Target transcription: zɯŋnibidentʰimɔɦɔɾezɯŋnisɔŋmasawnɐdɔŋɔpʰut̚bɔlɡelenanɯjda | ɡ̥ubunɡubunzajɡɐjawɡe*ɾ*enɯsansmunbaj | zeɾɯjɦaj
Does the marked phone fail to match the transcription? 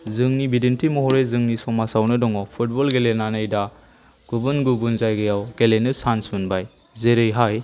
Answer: yes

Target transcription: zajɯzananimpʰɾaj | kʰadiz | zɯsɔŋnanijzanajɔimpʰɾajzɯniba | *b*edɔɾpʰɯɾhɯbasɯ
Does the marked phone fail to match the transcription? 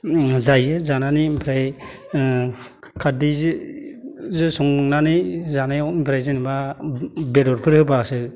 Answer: no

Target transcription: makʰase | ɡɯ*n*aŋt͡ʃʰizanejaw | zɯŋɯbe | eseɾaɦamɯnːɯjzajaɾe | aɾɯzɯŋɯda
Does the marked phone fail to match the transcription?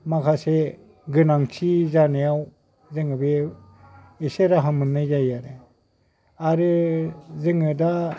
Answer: no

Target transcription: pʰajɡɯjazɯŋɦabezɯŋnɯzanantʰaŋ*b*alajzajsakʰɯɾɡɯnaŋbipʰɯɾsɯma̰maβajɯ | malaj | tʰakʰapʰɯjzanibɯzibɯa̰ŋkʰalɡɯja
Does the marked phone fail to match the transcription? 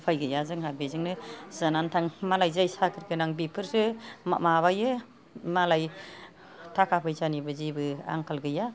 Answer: yes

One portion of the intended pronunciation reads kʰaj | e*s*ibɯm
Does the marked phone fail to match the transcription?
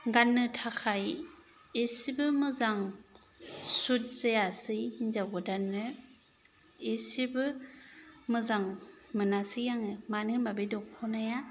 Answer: no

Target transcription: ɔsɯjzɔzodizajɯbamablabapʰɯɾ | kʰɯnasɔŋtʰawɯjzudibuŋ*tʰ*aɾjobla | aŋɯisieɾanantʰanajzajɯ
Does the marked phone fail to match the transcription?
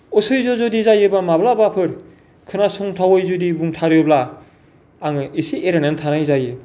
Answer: no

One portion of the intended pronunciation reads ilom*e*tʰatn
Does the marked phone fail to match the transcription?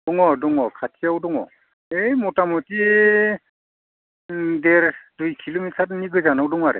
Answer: yes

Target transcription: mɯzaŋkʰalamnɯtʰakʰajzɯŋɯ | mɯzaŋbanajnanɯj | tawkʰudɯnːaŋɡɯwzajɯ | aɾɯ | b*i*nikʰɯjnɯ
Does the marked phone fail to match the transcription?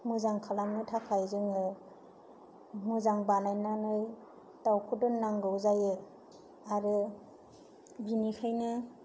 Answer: no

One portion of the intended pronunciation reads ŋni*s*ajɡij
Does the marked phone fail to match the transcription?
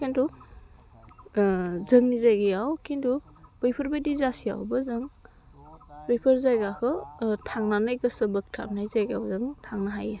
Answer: yes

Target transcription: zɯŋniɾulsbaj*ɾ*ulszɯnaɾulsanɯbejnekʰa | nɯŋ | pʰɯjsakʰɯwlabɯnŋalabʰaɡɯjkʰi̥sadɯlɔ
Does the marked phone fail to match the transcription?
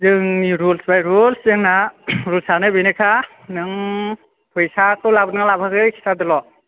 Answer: no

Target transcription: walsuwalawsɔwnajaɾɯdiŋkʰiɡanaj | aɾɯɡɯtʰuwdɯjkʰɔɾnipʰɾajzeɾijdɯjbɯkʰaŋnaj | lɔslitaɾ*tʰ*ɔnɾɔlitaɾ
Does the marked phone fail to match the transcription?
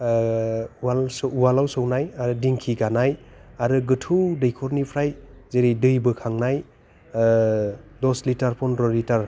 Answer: yes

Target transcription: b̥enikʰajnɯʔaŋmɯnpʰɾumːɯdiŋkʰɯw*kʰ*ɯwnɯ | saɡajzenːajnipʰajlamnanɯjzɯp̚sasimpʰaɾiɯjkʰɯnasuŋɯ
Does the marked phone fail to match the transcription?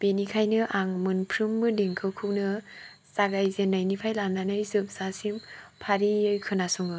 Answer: no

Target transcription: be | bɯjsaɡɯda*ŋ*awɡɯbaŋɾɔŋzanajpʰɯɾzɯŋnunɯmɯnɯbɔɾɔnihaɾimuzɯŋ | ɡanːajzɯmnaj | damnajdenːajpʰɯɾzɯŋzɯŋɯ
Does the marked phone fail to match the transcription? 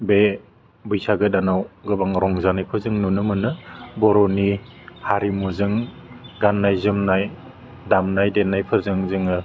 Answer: yes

